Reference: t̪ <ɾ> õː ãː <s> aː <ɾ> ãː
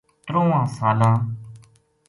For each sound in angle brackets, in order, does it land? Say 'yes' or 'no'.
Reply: yes, yes, no

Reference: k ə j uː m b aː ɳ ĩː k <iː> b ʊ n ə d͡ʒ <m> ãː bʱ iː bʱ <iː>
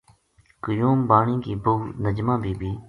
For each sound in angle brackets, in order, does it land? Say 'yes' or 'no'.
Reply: yes, yes, yes

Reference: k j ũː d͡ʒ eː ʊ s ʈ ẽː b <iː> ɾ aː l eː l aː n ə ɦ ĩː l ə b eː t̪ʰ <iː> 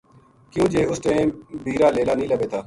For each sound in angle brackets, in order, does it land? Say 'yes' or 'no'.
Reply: yes, no

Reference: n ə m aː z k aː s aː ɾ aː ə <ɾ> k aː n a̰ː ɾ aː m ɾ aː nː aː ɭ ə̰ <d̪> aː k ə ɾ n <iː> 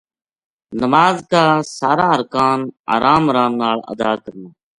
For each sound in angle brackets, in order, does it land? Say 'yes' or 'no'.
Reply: yes, yes, no

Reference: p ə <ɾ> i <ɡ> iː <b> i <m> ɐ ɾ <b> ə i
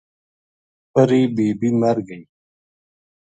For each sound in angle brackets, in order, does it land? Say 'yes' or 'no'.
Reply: yes, no, yes, yes, no

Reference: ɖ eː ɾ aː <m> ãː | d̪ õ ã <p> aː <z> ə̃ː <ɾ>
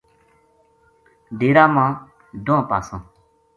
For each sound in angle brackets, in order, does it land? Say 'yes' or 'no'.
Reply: yes, yes, no, no

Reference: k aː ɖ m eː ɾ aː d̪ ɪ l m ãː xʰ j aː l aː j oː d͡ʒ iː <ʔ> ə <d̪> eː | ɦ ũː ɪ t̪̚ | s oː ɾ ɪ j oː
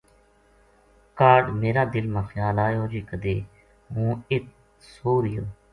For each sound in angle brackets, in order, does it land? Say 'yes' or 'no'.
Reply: no, yes

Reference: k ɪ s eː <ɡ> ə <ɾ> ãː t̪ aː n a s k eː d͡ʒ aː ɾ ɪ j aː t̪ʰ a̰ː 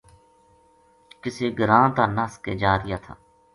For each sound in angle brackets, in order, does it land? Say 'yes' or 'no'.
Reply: yes, yes

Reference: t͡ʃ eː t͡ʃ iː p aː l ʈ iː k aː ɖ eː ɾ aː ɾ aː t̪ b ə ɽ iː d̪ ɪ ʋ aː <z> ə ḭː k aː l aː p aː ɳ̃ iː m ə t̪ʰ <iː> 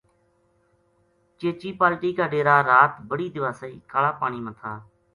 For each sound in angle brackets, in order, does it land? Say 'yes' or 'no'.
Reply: no, no

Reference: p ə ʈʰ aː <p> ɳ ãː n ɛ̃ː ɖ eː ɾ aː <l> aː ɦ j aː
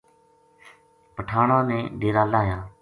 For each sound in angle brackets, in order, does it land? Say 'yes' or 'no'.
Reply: no, yes

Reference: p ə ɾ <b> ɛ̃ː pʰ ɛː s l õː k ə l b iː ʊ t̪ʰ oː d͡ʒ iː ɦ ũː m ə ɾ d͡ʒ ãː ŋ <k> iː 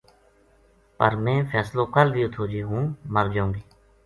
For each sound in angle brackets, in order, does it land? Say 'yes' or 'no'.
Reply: no, no

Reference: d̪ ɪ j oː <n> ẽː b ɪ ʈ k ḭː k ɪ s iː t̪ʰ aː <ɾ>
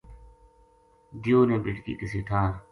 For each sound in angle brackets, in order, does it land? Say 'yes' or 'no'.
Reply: yes, yes

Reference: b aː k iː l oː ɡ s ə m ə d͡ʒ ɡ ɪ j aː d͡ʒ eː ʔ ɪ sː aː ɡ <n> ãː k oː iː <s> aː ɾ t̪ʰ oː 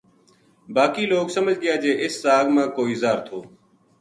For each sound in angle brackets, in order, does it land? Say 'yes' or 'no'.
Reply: no, no

